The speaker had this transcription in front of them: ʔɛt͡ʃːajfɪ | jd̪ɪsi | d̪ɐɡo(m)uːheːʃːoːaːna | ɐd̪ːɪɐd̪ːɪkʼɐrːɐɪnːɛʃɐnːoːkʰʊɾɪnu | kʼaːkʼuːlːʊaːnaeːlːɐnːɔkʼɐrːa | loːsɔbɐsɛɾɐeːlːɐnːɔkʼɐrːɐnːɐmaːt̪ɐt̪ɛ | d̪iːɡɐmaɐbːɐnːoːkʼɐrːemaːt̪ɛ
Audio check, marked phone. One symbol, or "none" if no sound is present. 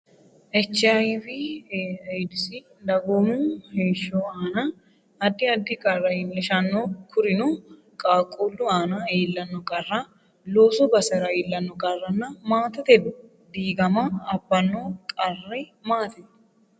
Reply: m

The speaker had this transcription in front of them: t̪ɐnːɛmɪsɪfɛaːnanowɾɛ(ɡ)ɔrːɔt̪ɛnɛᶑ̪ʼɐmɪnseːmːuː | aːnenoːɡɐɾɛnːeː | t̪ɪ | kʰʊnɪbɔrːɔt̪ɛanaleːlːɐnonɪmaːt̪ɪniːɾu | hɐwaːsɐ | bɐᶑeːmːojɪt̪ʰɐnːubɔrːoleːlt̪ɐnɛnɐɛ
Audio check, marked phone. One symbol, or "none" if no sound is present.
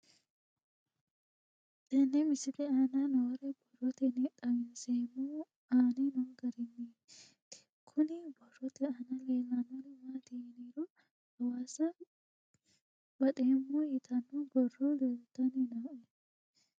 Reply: b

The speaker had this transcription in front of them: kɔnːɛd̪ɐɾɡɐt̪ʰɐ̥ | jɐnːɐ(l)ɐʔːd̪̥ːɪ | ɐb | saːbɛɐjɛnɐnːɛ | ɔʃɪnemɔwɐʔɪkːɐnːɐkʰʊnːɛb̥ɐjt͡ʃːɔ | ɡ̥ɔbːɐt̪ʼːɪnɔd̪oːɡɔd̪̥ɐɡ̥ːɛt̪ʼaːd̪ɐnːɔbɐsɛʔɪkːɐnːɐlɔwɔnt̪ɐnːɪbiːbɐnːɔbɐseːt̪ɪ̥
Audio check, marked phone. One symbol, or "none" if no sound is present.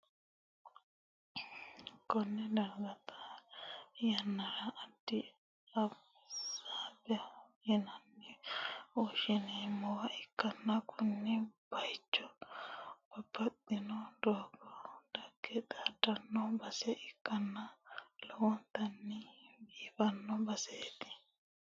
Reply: ɾ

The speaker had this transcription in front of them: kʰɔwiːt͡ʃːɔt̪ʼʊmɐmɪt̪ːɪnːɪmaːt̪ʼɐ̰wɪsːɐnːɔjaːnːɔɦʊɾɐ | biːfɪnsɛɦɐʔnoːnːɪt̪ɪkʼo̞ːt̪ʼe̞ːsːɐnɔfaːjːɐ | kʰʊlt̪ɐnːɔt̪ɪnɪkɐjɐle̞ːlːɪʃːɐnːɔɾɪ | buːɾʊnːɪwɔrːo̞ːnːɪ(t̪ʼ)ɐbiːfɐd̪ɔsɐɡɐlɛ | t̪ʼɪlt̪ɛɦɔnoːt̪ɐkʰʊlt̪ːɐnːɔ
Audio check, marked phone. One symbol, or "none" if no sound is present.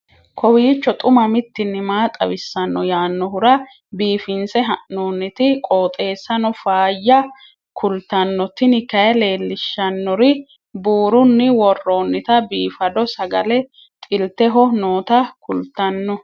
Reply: t̪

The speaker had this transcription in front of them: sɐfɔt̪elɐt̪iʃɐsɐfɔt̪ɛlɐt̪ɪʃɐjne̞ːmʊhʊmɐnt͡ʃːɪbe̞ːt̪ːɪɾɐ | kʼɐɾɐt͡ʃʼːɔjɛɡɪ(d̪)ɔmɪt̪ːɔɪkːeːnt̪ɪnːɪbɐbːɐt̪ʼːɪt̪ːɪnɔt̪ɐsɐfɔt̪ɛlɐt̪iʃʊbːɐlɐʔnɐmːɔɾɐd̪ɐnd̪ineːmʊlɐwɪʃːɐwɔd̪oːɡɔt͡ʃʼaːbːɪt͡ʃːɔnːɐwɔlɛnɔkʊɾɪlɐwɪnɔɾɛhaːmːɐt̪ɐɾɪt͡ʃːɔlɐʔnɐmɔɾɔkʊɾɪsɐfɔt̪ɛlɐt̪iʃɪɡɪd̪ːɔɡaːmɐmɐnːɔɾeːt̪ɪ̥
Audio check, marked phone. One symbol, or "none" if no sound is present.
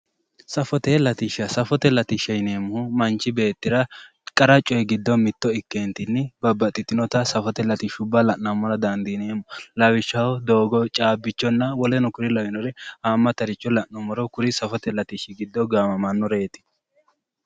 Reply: d̪ː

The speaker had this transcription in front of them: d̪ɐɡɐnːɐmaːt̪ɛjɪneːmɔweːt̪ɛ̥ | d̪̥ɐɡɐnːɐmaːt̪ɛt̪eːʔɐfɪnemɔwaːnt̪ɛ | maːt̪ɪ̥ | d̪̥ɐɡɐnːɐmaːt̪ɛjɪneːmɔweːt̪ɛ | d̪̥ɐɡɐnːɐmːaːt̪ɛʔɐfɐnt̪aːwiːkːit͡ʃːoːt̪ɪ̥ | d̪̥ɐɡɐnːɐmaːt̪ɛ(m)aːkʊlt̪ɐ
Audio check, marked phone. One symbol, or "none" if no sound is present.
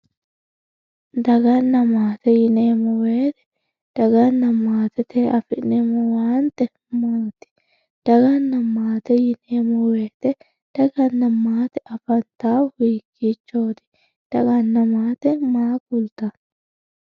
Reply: m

